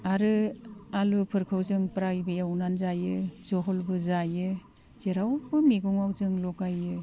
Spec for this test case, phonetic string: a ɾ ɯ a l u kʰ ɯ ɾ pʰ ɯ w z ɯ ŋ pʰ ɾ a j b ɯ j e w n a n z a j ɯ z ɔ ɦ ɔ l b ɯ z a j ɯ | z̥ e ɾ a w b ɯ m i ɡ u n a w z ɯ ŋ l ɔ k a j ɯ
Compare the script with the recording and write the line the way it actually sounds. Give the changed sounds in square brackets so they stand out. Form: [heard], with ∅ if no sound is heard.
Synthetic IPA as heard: a ɾ ɯ a l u [pʰ] ɯ ɾ [kʰ] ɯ w z ɯ ŋ [p] ɾ a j b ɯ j [a] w n a n z a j ɯ z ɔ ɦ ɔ l b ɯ z a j ɯ | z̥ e ɾ a w b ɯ m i ɡ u [ŋ] a w z ɯ ŋ l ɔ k a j ɯ